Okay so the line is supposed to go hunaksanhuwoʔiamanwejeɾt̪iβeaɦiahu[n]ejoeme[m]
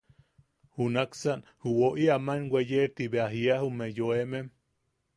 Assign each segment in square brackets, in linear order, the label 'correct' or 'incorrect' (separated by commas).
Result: incorrect, correct